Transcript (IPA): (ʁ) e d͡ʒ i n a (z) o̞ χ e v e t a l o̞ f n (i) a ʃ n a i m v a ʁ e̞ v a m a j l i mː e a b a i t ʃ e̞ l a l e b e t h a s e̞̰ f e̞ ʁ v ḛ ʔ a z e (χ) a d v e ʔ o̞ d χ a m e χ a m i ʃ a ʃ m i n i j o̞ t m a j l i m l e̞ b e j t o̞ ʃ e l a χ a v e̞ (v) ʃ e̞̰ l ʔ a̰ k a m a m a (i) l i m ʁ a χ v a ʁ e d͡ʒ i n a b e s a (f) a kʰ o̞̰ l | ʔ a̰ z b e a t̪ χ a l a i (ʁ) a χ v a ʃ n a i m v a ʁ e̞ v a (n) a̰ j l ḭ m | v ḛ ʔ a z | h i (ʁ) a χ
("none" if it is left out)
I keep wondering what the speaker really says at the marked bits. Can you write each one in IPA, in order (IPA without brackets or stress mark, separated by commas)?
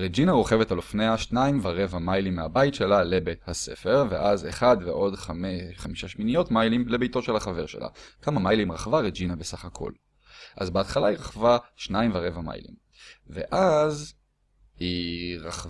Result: ʁ, ʁ, e, χ, ʁ, j, χ, ʁ, m, ʁ